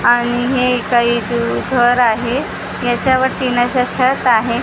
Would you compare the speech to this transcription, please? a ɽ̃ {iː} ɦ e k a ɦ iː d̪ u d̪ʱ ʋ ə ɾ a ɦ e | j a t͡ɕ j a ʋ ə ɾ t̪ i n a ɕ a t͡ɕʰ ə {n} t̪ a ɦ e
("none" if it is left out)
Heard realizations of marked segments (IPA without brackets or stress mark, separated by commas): i, none